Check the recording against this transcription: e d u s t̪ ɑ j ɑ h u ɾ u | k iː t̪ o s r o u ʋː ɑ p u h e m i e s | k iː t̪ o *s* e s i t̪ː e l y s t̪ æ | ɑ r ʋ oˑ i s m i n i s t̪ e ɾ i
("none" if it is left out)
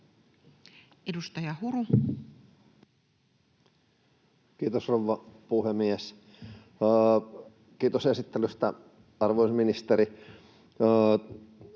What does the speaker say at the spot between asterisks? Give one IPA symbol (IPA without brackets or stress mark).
s